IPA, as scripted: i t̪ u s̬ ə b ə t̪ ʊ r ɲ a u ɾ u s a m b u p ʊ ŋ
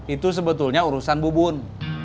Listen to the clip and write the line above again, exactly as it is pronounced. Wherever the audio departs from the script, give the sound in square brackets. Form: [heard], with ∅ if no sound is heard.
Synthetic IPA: i t̪ u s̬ ə b ə t̪ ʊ [l] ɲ a u ɾ u s a [n] b u [b] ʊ [n]